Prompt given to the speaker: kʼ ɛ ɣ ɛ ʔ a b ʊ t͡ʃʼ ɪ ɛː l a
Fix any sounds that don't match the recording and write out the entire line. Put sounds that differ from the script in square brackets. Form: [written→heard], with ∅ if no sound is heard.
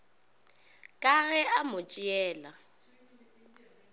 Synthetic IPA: kʼ [ɛ→a] ɣ ɛ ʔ a [b→m] ʊ t͡ʃʼ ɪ ɛː l a